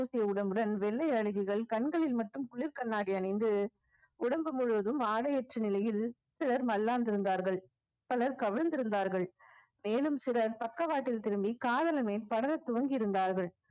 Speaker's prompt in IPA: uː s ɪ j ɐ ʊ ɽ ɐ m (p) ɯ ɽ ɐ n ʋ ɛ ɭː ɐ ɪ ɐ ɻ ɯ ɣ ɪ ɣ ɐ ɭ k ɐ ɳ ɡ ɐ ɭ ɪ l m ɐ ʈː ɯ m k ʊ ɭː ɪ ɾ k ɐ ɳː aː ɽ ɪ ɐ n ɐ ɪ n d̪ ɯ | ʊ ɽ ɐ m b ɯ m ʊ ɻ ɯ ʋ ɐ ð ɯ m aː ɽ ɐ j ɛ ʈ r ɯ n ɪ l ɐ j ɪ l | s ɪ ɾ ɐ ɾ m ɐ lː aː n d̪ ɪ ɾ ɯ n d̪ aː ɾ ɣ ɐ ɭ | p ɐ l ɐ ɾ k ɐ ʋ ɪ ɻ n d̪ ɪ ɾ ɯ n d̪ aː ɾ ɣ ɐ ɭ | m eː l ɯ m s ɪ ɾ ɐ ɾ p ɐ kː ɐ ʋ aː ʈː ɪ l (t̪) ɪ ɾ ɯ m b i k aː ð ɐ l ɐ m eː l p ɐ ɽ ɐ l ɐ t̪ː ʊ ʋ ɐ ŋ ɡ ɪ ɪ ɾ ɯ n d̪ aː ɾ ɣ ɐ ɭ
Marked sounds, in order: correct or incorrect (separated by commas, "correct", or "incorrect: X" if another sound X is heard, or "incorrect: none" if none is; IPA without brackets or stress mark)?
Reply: incorrect: b, correct